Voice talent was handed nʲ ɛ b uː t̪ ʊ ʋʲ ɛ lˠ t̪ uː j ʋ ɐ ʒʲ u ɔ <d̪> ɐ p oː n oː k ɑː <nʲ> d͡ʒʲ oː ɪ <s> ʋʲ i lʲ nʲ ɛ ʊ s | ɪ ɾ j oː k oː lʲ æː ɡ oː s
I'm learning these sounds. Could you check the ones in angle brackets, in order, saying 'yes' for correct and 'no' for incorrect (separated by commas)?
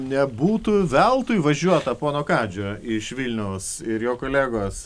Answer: no, no, no